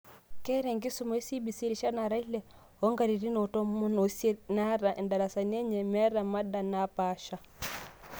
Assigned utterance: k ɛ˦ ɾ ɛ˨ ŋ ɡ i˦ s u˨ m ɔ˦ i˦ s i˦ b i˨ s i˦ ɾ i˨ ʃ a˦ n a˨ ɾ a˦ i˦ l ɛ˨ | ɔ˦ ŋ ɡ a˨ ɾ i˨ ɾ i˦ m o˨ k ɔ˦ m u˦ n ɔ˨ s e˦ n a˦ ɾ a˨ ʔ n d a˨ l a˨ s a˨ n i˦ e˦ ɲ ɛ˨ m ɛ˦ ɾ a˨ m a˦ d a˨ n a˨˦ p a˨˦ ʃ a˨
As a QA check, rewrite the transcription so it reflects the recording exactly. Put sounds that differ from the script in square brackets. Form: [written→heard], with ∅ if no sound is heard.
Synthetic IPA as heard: k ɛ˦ ɾ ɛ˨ ŋ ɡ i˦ s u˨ m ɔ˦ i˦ s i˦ b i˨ s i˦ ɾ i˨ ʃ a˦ n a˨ ɾ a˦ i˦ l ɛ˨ | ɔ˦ ŋ ɡ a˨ ɾ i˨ ɾ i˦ [m→n] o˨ [k→t] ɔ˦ m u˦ n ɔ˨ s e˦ n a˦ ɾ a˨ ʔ n d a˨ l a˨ s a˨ n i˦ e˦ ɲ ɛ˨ m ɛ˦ ɾ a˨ m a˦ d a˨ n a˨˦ p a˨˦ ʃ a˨